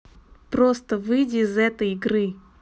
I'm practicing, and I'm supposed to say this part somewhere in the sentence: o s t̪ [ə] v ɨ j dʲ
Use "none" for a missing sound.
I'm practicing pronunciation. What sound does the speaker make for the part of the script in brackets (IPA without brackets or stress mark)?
ə